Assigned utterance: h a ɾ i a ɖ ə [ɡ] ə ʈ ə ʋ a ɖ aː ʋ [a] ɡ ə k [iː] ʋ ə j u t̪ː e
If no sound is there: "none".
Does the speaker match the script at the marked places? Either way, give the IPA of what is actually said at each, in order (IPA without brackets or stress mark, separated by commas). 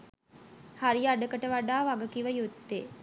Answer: k, a, i